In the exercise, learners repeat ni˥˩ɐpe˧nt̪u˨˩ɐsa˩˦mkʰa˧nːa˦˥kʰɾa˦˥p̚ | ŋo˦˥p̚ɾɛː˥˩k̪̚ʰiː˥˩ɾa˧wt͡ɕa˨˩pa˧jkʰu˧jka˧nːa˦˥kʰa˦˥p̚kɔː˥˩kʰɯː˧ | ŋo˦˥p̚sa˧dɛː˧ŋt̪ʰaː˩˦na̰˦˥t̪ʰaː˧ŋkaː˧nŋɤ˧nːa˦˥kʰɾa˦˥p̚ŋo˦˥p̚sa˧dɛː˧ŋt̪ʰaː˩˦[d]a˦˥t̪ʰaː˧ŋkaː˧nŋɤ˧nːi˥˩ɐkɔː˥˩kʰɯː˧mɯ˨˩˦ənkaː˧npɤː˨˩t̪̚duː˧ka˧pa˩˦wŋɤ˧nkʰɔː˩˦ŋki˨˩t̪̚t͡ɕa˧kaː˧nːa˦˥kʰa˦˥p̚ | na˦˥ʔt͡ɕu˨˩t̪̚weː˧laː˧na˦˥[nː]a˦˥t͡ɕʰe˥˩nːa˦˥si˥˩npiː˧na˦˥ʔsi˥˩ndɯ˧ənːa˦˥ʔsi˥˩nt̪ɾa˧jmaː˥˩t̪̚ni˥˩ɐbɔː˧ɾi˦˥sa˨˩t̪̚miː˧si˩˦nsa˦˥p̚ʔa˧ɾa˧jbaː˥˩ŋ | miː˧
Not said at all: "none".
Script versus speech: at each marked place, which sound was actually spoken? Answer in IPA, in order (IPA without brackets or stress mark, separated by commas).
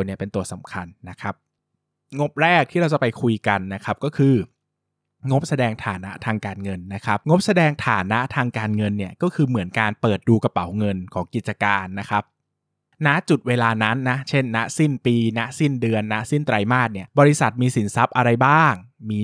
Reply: n, nː